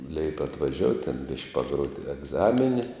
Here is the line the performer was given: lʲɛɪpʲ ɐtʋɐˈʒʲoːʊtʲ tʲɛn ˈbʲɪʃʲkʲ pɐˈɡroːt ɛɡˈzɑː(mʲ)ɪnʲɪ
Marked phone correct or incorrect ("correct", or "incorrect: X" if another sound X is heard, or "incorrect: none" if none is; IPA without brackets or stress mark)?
correct